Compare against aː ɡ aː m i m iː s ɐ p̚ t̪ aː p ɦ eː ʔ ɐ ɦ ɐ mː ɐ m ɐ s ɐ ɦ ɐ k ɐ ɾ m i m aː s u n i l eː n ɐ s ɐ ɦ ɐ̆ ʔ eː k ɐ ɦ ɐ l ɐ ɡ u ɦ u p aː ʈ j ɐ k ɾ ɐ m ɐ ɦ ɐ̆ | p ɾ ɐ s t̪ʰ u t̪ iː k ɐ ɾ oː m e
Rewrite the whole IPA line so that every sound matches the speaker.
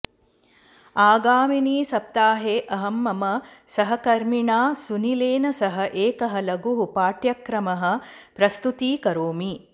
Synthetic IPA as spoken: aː ɡ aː m i n iː s ɐ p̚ t̪ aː ɦ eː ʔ ɐ ɦ ɐ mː ɐ m ɐ s ɐ ɦ ɐ k ɐ ɾ m i ɳ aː s u n i l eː n ɐ s ɐ ɦ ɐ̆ ʔ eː k ɐ ɦ ɐ l ɐ ɡ u ɦ u p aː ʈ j ɐ k ɾ ɐ m ɐ ɦ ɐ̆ | p ɾ ɐ s t̪ u t̪ iː k ɐ ɾ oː m i